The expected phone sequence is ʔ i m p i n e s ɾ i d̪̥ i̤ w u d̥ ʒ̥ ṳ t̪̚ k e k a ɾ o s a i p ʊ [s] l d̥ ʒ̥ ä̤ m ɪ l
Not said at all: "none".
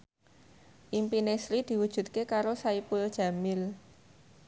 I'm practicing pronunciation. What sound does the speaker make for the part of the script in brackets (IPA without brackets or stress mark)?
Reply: none